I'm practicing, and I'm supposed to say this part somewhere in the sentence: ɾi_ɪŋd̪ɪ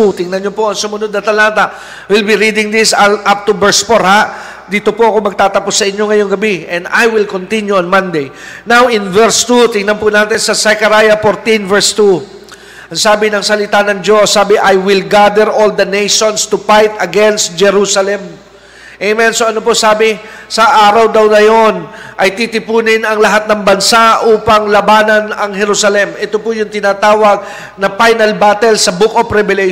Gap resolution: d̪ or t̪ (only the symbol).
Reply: d̪